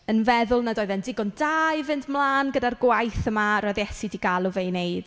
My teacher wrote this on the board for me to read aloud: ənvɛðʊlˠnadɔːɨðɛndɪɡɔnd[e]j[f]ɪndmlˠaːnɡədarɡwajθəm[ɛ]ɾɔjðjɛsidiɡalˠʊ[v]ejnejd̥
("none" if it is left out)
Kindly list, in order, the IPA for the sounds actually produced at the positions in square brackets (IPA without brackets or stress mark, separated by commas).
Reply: a, v, a, v